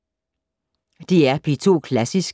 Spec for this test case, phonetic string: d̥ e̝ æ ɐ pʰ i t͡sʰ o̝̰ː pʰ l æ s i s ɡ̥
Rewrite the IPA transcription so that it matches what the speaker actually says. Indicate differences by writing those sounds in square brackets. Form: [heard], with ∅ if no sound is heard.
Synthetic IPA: d̥ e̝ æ ɐ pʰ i t͡sʰ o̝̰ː [kʰ] l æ s i s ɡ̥